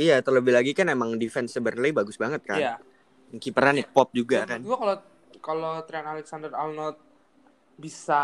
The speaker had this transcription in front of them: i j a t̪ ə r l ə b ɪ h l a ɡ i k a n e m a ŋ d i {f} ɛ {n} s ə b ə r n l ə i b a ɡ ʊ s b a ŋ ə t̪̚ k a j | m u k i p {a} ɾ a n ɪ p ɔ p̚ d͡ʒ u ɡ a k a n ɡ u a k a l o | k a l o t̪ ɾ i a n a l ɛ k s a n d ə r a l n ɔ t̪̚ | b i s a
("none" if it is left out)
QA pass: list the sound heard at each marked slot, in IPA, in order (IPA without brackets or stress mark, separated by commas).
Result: f, n, ə